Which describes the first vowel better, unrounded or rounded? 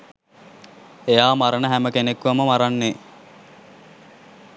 unrounded